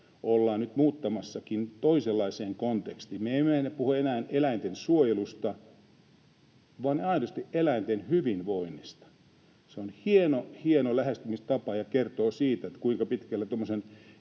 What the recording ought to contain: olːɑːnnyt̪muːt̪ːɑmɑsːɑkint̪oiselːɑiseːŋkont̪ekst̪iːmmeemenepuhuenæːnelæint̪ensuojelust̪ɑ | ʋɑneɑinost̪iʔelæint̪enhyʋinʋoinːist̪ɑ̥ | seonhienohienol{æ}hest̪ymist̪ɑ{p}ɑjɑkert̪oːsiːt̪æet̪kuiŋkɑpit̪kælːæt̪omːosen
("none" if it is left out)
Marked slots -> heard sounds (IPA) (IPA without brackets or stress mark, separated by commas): æ, p